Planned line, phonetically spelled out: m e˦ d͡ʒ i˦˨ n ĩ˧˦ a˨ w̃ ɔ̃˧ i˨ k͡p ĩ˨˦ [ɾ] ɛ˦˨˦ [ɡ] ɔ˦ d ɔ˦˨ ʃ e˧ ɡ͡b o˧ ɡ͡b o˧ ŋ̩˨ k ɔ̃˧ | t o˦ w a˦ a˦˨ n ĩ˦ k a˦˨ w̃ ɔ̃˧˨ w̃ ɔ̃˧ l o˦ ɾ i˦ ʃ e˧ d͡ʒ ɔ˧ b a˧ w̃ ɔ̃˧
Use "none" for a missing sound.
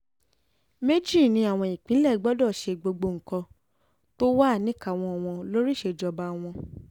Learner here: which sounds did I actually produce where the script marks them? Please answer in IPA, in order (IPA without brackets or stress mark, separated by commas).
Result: l, ɡ͡b